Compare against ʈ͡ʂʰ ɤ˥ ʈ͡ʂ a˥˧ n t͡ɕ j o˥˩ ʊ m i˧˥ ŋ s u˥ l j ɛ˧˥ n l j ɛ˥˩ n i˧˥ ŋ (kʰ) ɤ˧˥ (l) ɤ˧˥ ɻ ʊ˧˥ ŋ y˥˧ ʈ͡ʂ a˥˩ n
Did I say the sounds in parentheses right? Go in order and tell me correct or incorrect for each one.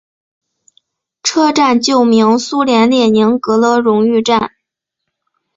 incorrect, correct

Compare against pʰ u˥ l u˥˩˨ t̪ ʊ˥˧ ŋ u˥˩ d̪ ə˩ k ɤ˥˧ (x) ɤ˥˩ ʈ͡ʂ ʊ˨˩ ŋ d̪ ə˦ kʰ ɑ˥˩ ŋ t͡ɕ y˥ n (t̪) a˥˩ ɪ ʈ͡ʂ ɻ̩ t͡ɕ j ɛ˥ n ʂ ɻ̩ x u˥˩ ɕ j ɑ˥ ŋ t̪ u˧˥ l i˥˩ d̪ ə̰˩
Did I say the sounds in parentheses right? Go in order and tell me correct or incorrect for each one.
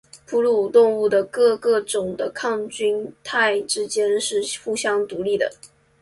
incorrect, incorrect

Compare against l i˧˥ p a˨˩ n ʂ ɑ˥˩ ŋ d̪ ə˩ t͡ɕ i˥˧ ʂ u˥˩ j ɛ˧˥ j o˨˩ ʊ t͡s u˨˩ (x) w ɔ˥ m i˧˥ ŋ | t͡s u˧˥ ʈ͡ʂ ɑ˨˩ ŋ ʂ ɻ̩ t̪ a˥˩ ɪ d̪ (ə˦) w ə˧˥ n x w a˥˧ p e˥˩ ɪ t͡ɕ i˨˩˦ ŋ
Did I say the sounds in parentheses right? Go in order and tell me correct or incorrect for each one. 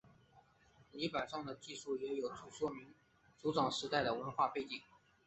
incorrect, incorrect

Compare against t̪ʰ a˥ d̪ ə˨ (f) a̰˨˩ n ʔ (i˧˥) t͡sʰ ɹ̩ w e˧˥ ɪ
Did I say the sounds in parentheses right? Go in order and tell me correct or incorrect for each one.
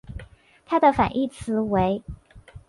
correct, incorrect

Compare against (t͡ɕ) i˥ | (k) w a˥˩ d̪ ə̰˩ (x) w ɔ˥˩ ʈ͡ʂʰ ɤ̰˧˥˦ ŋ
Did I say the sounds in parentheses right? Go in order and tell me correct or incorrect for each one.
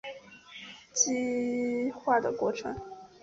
correct, incorrect, incorrect

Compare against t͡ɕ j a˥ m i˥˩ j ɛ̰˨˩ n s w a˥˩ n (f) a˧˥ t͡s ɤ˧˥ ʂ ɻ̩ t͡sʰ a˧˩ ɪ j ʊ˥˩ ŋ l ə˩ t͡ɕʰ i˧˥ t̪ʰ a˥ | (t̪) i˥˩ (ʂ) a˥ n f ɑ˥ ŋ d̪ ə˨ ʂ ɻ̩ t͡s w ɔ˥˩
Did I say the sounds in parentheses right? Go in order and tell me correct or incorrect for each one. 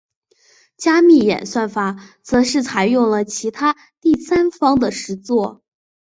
correct, correct, incorrect

